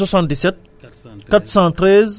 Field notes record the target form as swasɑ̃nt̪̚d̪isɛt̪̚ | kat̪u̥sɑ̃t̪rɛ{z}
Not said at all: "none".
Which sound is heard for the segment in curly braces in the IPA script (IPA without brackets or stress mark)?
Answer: z